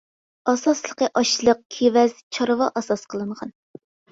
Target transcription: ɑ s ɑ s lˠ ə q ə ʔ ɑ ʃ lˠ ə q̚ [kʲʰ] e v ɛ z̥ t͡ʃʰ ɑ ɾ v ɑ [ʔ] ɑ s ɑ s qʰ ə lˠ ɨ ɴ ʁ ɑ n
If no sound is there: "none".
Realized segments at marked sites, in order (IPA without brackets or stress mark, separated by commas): kʲʰ, ʔ